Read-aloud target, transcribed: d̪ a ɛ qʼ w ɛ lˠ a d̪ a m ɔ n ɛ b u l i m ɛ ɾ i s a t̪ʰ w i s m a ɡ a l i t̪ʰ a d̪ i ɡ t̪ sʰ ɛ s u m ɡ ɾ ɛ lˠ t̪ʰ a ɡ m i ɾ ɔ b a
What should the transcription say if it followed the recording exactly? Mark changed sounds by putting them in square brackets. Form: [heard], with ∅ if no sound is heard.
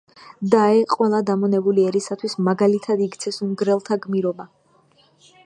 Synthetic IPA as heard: d̪ a ɛ qʼ w ɛ lˠ a d̪ a m ɔ n ɛ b u l i [∅] ɛ ɾ i s a t̪ʰ w i s m a ɡ a l i t̪ʰ a d̪ i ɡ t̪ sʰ ɛ s u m ɡ ɾ ɛ lˠ t̪ʰ a ɡ m i ɾ ɔ b a

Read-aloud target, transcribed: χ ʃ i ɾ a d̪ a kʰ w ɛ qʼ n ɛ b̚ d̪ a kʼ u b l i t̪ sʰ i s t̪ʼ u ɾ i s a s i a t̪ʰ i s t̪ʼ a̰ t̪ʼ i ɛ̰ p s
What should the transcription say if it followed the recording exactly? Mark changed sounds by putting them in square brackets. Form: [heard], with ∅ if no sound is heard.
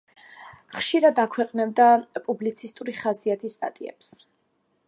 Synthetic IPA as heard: χ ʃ i ɾ a d̪ a kʰ w ɛ qʼ n ɛ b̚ d̪ a [pʼ] u b l i t̪ sʰ i s t̪ʼ u ɾ i [χ] a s i a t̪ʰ i s t̪ʼ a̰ t̪ʼ i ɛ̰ p s

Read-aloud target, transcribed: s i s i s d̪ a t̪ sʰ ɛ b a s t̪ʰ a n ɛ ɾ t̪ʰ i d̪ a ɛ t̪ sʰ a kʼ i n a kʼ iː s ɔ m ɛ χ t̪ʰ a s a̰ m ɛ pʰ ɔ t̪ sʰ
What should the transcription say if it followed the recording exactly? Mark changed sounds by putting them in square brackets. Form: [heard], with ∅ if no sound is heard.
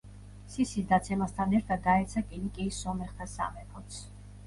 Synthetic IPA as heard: s i s i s d̪ a t̪ sʰ ɛ [m] a s t̪ʰ a n ɛ ɾ t̪ʰ [a] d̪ a ɛ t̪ sʰ a kʼ i n [i] kʼ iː s ɔ m ɛ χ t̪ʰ a s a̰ m ɛ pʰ ɔ t̪ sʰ

